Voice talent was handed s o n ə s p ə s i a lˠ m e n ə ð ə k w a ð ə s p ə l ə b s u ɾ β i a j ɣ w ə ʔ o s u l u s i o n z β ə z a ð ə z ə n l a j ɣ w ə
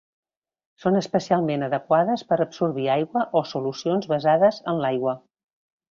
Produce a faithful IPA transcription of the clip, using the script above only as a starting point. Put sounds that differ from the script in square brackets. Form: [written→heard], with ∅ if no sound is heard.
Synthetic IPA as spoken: s o n ə s p ə s i a lˠ m e n ə ð ə k w a ð ə s p ə [l→ɾ] ə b s u ɾ β i a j ɣ w ə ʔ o s u l u s i o n z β ə z a ð ə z ə n l a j ɣ w ə